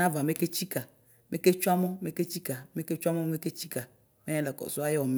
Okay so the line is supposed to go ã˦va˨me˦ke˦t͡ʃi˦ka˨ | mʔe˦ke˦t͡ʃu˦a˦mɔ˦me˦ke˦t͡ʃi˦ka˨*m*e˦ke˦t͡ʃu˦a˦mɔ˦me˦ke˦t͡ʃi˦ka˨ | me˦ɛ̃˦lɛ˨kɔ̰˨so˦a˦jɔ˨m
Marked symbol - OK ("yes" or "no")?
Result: yes